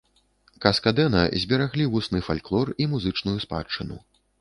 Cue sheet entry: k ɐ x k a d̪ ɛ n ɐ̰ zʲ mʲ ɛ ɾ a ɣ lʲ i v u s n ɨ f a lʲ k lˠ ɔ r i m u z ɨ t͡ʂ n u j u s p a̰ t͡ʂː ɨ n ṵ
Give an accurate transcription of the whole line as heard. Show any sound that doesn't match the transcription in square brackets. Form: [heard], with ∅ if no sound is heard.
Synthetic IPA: k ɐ [s] k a d̪ ɛ n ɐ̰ zʲ [bʲ] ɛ ɾ a ɣ lʲ i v u s n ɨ f a lʲ k lˠ ɔ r i m u z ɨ t͡ʂ n u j u s p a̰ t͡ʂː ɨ n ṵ